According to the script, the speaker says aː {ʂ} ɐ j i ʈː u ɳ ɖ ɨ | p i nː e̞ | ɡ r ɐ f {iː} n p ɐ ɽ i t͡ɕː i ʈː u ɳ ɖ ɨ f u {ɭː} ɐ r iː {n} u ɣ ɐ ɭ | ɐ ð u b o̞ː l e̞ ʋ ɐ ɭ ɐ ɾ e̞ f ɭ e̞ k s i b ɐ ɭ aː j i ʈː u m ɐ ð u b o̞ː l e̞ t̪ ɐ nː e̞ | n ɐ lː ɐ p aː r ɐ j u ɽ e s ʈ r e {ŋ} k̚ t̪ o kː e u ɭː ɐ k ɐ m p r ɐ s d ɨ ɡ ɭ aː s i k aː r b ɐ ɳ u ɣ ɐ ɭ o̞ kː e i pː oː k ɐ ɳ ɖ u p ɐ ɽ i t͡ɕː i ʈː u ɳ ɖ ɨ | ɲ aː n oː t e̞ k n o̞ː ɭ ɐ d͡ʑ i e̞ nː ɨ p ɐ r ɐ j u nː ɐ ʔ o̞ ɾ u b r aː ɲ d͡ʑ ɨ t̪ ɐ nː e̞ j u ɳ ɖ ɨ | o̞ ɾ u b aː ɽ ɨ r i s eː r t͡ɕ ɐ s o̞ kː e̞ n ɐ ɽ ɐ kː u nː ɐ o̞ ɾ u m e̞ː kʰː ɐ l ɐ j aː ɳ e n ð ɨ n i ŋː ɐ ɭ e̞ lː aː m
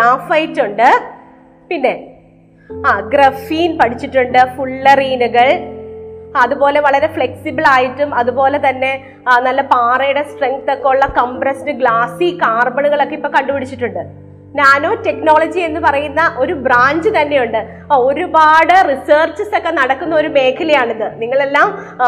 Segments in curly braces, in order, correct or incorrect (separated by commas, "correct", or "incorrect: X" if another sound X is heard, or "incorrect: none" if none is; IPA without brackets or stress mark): incorrect: f, correct, correct, correct, correct